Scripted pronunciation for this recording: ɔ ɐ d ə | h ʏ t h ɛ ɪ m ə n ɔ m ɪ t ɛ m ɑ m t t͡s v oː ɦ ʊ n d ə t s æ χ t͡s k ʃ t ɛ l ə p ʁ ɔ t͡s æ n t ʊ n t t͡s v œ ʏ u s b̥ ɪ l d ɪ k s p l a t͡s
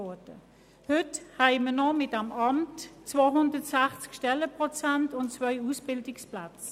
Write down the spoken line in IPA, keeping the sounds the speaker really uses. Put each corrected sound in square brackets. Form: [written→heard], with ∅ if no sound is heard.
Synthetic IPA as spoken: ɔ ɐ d ə | h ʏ t h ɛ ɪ m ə n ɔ m ɪ t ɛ m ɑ m t t͡s v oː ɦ ʊ n d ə t s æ χ t͡s k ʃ t ɛ l ə p ʁ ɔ t͡s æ n t ʊ n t t͡s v œ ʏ u s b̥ ɪ l d ɪ k s p l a t͡s